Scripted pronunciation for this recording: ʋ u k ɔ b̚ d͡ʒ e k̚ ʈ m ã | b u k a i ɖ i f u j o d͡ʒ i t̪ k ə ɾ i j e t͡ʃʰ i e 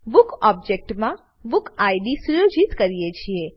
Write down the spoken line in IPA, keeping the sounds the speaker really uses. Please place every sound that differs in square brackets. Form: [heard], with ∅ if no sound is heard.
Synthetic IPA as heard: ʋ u k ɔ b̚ d͡ʒ e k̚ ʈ m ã | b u k a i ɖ i [s] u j o d͡ʒ i t̪ k ə ɾ i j e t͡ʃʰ i e